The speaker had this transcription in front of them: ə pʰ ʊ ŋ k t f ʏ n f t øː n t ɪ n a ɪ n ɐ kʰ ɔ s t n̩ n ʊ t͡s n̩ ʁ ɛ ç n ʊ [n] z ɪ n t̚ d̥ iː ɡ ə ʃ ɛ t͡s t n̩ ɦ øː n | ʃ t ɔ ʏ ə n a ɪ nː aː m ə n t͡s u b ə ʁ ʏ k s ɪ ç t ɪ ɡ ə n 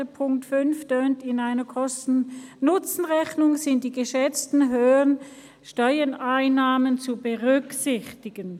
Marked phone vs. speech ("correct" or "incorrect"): incorrect